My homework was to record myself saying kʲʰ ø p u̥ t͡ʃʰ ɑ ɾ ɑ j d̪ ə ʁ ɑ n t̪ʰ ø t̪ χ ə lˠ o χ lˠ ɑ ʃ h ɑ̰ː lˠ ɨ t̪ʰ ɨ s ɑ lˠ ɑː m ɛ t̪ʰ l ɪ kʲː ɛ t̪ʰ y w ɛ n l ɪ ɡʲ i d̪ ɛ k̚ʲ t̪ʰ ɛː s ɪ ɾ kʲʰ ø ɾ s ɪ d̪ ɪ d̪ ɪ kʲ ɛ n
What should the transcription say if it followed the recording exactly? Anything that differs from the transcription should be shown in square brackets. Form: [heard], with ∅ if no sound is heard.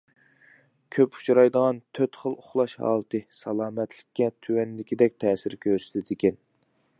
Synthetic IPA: kʲʰ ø p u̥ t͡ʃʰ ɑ ɾ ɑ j d̪ ə ʁ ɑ n t̪ʰ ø t̪ χ ə lˠ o χ lˠ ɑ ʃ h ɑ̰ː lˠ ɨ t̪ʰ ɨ s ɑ lˠ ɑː m ɛ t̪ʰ l ɪ kʲː ɛ t̪ʰ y w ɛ n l ɪ [kʲ] i d̪ ɛ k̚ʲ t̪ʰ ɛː s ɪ ɾ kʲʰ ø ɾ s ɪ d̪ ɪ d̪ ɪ kʲ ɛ n